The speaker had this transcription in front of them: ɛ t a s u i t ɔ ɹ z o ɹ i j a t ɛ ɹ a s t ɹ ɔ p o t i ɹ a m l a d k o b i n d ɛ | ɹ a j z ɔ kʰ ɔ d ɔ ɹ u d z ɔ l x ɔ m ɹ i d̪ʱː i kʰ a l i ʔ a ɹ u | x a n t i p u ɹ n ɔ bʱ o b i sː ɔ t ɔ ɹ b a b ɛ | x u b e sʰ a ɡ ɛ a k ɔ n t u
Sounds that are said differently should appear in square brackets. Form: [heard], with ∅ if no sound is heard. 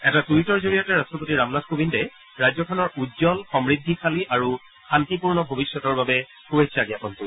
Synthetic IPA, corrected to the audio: ɛ t a [t] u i t ɔ ɹ z o ɹ i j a t ɛ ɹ a s t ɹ ɔ p o t i ɹ a m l a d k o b i n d ɛ | ɹ a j z ɔ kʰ ɔ [n] ɔ ɹ u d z ɔ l x ɔ m ɹ i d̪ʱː i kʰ a l i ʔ a ɹ u | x a n t i p u ɹ n ɔ bʱ o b i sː ɔ t ɔ ɹ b a b ɛ | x u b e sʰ a ɡ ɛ a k ɔ n t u